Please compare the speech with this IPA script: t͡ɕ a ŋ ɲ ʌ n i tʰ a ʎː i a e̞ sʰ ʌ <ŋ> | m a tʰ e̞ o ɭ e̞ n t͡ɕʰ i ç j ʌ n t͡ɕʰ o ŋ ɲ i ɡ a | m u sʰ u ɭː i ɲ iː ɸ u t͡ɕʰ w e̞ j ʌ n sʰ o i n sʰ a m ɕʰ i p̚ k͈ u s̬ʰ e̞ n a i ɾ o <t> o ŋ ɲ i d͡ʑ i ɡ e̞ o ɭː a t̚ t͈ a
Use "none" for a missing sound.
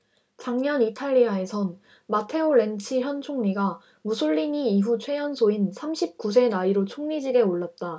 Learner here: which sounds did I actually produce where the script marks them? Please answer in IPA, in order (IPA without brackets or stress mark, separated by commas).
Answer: n, t͡ɕʰ